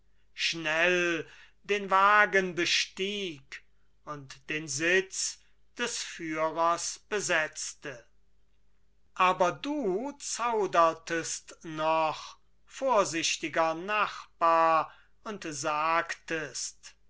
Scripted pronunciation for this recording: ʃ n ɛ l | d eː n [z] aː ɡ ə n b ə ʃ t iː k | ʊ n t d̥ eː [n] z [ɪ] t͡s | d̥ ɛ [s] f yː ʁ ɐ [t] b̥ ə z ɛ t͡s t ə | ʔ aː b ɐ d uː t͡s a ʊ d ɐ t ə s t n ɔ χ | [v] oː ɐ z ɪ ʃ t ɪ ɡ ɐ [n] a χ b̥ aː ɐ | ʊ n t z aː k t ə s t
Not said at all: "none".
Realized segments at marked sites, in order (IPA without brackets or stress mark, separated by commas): v, n, ɪ, s, s, f, n